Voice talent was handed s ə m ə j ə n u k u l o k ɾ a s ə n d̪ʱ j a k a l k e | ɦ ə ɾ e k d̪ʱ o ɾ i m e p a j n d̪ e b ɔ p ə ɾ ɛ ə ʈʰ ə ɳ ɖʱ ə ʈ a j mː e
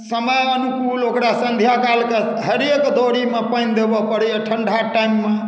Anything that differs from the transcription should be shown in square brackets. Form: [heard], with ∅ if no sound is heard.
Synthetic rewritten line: s ə m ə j ə n u k u l o k ɾ a s ə n d̪ʱ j a k a l k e | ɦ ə ɾ e k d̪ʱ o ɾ i m e p [ə] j n d̪ e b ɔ p ə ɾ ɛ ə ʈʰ ə ɳ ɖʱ [a] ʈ a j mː e